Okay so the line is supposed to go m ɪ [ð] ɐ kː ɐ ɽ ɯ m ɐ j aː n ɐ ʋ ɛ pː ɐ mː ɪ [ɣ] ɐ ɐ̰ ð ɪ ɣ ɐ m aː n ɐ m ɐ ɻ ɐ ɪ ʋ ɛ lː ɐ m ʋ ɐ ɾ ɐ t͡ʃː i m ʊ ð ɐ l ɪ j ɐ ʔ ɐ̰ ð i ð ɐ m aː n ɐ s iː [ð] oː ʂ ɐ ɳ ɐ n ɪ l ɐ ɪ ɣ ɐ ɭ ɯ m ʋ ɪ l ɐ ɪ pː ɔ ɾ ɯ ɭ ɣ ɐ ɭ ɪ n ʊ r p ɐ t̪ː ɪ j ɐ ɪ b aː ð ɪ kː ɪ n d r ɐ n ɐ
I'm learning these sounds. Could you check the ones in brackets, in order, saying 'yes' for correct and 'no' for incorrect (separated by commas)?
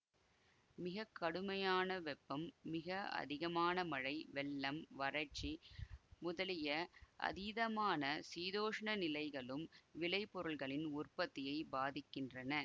no, yes, yes